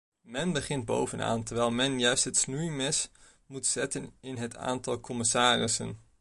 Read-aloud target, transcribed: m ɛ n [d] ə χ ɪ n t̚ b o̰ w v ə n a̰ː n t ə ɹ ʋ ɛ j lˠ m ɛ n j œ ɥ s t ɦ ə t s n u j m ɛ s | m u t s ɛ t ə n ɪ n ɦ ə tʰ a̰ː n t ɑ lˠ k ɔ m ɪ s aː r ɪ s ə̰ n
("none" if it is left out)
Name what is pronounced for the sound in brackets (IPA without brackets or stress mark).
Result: b